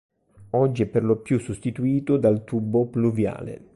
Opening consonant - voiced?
yes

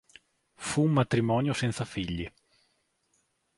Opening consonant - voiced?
no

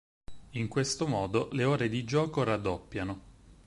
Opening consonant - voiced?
yes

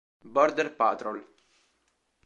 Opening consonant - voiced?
yes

